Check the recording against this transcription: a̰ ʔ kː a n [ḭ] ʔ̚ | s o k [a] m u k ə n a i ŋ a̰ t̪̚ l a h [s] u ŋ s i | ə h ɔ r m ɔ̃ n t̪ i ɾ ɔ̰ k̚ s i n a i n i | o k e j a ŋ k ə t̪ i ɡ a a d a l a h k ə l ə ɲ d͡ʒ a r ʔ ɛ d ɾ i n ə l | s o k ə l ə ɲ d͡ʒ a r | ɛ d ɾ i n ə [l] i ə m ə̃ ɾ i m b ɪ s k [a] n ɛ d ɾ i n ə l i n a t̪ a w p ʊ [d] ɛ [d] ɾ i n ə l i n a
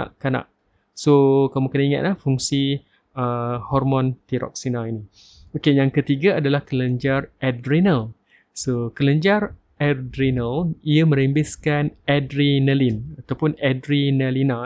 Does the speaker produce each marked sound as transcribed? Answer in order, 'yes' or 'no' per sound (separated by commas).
no, yes, no, yes, yes, no, yes